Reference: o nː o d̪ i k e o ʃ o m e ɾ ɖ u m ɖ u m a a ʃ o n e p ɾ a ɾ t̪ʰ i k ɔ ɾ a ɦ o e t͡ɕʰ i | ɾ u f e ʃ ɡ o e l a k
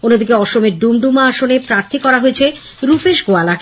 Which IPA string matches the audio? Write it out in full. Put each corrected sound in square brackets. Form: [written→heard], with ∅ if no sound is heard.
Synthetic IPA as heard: o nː o d̪ i k e [o→ɔ] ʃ o m e ɾ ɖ u m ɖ u m a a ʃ o n e p ɾ a ɾ t̪ʰ i k ɔ ɾ a ɦ o e t͡ɕʰ [i→e] | ɾ u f e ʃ ɡ o [e→a] l a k